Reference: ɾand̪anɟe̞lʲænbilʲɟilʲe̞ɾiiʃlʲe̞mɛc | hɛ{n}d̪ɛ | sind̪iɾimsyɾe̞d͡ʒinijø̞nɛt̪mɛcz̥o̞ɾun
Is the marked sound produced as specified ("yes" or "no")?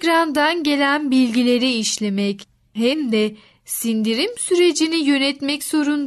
no